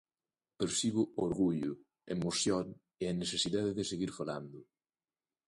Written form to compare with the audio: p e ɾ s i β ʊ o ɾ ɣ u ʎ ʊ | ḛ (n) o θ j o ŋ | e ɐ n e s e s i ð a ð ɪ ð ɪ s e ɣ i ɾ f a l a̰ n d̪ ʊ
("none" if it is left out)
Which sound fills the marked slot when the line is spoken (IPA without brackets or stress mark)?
m